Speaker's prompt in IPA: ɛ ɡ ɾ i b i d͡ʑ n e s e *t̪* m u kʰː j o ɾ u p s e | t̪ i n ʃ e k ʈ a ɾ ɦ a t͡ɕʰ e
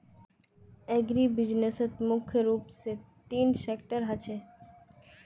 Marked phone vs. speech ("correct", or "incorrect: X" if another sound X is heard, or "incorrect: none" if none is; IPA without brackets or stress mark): correct